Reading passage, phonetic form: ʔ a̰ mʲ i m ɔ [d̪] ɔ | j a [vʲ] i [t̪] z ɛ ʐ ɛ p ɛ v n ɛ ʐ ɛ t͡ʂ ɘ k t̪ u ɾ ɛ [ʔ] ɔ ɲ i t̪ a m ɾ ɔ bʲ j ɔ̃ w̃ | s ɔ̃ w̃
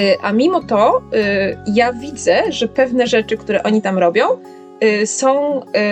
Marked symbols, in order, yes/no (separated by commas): no, yes, no, yes